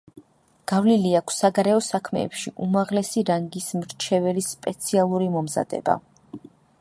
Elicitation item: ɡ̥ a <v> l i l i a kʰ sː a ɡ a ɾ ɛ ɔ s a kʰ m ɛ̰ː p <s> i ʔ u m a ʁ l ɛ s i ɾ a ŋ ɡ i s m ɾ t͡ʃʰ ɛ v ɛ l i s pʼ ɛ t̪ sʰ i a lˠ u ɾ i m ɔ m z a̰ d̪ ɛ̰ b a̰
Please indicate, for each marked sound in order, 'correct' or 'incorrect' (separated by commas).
correct, incorrect